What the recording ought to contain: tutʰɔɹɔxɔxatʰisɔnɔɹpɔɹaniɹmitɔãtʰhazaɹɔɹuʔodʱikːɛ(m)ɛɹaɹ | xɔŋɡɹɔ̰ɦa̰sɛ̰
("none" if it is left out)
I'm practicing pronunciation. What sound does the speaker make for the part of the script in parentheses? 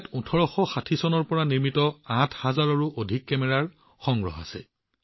m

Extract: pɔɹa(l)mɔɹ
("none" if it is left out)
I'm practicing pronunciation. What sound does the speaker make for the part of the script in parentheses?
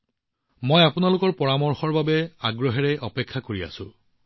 none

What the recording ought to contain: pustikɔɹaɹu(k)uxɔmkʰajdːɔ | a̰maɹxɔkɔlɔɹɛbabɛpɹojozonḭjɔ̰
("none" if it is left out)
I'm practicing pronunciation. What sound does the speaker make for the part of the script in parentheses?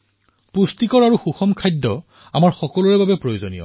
x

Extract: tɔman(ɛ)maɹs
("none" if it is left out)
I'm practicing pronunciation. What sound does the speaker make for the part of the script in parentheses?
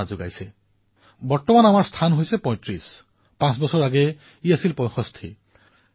a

